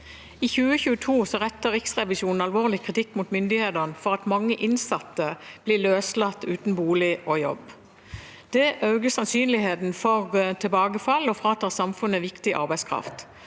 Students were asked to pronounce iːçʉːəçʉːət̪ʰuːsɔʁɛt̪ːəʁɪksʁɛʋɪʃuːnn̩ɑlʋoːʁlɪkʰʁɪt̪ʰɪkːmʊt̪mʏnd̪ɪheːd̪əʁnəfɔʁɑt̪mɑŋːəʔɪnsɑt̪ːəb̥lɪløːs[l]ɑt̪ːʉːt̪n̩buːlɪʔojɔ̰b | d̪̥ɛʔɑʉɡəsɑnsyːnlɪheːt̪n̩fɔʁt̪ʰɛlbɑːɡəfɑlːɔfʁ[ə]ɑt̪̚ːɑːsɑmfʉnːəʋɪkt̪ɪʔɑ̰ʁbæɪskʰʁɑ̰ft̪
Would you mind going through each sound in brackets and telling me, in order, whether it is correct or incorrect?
correct, incorrect

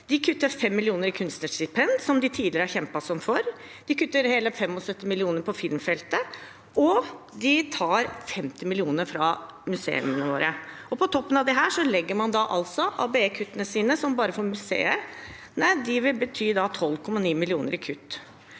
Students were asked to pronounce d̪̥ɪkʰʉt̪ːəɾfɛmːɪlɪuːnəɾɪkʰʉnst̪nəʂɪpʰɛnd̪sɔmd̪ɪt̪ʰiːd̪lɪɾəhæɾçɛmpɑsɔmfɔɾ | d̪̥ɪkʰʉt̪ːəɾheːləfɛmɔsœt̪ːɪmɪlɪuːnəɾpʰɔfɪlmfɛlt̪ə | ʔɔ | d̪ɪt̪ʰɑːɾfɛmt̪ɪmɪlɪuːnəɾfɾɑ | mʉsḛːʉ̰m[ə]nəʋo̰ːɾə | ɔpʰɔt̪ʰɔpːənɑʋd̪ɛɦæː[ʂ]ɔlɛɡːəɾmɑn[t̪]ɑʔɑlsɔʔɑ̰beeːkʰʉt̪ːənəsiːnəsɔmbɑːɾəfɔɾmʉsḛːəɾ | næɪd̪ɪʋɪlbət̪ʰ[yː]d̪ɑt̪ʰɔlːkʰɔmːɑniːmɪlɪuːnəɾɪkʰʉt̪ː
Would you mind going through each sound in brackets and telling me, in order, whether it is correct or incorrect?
correct, correct, incorrect, correct

